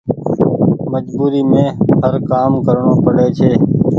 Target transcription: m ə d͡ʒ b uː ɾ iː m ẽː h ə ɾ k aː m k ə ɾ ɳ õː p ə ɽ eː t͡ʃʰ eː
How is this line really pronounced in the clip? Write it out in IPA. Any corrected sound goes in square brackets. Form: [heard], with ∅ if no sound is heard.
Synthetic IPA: m ə d͡ʒ b uː ɾ iː m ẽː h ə ɾ k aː m k ə ɾ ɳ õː p ə ɽ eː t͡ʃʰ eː